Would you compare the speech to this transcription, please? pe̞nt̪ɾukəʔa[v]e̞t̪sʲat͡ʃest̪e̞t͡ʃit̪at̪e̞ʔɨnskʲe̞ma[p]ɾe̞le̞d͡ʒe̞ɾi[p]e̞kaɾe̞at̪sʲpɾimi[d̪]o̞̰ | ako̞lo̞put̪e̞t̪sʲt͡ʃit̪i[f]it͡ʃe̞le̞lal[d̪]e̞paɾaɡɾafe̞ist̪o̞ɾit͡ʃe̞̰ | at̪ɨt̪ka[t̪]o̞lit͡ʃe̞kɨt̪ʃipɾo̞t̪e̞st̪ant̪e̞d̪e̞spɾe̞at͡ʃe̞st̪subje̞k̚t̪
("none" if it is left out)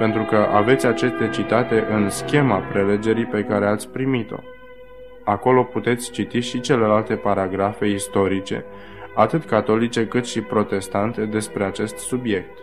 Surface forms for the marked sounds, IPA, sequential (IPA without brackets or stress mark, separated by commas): v, p, p, t̪, ʃ, t̪, t̪